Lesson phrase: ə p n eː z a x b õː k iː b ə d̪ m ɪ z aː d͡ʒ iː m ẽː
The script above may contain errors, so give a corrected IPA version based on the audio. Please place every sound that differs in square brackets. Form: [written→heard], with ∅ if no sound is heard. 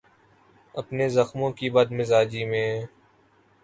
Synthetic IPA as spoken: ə p n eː z [a→ə] x [b→m] õː k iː b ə d̪ m ɪ z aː d͡ʒ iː m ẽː